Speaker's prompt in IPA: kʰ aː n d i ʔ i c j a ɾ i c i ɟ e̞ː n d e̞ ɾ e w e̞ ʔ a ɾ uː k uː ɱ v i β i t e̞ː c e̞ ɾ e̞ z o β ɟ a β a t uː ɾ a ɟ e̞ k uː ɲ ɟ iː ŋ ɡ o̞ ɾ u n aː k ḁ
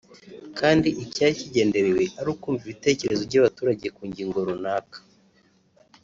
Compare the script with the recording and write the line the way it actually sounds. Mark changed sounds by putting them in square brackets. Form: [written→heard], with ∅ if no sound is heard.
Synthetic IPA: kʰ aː n d i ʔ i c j a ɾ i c i ɟ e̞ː n d e̞ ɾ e w e̞ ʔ a ɾ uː k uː ɱ v i β i t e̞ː c e̞ ɾ e̞ z o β ɟ a β a t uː ɾ a ɟ e̞ k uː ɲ ɟ iː ŋ ɡ o̞ ɾ u n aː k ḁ